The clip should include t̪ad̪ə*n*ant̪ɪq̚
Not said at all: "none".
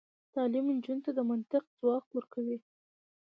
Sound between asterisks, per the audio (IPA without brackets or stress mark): m